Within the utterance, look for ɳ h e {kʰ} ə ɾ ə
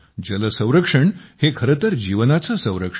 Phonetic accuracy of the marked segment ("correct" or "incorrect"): correct